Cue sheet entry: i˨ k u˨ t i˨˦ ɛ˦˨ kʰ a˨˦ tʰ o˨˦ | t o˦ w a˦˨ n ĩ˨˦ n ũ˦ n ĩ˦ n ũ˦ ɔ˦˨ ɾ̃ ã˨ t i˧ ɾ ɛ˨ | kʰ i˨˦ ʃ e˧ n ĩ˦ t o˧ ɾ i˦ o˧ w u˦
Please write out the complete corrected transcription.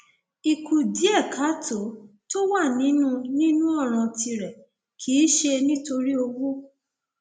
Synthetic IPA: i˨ k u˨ d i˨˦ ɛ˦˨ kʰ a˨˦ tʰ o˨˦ | t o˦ w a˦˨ n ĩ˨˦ n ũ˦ n ĩ˦ n ũ˦ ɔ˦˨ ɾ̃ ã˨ t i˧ ɾ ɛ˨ | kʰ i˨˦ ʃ e˧ n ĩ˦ t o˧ ɾ i˦ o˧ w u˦